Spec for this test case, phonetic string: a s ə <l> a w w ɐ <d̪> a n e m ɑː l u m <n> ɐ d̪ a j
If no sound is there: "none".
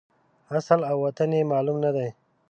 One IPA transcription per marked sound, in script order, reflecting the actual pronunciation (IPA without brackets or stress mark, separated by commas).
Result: l, t̪, n